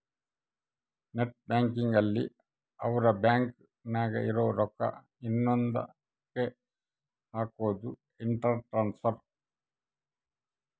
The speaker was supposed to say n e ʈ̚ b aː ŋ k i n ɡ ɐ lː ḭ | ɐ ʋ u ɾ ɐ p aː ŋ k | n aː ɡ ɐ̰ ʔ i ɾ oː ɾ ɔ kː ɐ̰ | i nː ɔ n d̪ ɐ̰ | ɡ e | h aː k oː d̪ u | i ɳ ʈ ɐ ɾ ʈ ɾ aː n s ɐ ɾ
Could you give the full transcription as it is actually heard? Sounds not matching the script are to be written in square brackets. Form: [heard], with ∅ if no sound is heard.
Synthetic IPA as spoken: n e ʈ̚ b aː ŋ k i [ŋ] ɡ ɐ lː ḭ | ɐ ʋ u ɾ ɐ [b] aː ŋ k | n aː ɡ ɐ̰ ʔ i ɾ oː ɾ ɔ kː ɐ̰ | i nː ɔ n d̪ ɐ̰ | [k] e | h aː k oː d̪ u | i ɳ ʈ ɐ ɾ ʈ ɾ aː n s ɐ ɾ